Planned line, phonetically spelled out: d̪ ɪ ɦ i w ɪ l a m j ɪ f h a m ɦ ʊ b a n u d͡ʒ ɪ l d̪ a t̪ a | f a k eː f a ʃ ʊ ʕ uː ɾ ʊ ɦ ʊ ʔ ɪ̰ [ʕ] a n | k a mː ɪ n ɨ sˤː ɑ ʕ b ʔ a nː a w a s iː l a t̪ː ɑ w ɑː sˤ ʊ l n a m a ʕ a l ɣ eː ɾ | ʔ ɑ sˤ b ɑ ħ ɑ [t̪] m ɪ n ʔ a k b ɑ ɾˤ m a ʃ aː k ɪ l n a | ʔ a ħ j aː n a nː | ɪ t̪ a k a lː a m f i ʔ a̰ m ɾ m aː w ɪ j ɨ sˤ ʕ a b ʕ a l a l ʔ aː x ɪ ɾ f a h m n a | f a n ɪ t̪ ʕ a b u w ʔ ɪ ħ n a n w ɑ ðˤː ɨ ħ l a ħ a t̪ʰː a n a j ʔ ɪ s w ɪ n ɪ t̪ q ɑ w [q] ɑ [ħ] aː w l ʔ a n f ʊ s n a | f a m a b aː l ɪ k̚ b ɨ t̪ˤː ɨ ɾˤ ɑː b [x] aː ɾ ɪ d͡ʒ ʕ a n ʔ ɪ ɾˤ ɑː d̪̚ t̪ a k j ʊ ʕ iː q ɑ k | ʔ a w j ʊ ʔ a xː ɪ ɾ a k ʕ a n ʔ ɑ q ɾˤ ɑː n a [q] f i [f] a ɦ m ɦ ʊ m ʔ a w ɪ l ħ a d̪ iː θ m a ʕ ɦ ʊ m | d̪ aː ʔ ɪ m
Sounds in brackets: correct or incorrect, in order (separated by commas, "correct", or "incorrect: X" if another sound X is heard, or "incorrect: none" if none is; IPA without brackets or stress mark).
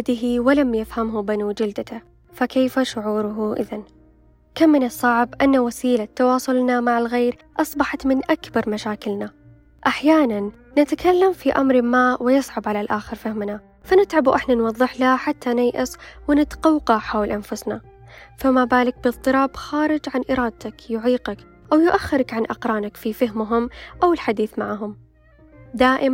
incorrect: ð, correct, correct, correct, correct, incorrect: k, correct